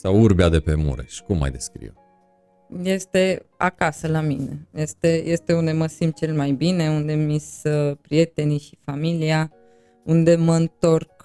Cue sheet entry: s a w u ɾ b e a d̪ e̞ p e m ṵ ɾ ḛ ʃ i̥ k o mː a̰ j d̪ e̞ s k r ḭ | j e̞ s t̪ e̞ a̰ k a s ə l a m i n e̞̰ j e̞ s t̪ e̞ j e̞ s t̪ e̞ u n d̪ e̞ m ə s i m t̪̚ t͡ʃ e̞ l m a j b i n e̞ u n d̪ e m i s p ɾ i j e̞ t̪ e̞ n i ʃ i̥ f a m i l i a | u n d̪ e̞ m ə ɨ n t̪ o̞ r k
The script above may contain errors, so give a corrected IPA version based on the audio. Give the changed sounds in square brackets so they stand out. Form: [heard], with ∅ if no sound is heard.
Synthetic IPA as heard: s a w u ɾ b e a d̪ e̞ p e m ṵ ɾ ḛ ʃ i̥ k [u] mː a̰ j d̪ e̞ s k [ɾ] ḭ | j e̞ s t̪ e̞ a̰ k a s ə l a m i n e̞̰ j e̞ s t̪ e̞ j e̞ s t̪ e̞ u n d̪ e̞ m ə s i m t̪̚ t͡ʃ e̞ l m a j b i n e̞ u n d̪ e m i s p ɾ i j e̞ t̪ e̞ n i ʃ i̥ f a m i l i a | u n d̪ e̞ m ə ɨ n t̪ o̞ r k